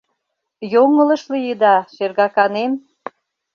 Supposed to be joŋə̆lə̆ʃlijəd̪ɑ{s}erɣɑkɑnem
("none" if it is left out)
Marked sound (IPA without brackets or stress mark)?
ʃ